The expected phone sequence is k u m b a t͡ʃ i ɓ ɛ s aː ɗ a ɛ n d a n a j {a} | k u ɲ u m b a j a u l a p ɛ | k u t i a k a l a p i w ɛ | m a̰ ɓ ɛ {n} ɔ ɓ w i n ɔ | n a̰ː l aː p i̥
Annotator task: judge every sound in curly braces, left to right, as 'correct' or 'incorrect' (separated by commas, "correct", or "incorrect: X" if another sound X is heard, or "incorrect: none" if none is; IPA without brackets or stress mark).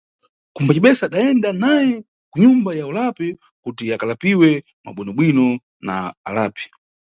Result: incorrect: ɛ, correct